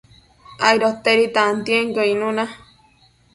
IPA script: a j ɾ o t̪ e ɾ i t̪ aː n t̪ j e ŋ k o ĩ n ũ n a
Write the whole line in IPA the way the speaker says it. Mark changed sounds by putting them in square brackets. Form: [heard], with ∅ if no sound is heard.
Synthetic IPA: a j ɾ o t̪ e ɾ i t̪ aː n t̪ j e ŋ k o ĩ n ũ n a